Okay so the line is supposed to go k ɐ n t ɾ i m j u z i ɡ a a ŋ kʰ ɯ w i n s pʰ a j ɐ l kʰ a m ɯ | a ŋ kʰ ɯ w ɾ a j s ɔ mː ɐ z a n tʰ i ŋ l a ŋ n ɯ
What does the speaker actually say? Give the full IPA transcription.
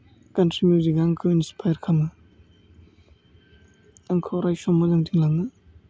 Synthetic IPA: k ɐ n t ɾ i m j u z i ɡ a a ŋ kʰ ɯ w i n s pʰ a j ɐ ɾ kʰ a m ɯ | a ŋ kʰ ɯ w ɾ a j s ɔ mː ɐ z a ŋ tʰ i ŋ l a ŋ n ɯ